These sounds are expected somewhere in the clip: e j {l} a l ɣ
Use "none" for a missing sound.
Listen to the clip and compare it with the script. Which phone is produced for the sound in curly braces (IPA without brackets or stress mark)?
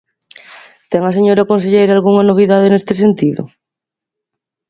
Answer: ɾ